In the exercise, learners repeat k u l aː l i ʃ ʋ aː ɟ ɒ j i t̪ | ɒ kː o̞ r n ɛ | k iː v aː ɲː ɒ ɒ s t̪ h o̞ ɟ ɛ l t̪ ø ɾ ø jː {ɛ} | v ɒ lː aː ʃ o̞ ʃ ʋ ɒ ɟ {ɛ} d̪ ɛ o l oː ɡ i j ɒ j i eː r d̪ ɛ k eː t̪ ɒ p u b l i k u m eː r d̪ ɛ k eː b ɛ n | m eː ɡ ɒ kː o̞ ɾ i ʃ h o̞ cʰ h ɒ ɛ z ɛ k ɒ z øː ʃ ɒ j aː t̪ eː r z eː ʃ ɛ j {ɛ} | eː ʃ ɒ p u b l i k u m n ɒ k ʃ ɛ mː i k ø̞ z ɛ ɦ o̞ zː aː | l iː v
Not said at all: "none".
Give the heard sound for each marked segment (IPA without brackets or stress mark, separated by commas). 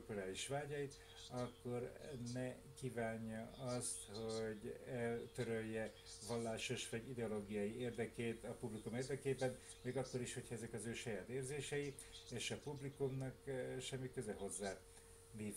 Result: ɛ, i, i